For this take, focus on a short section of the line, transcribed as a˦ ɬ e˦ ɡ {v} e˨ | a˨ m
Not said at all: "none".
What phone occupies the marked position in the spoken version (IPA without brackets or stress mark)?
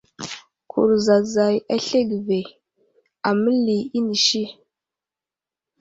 v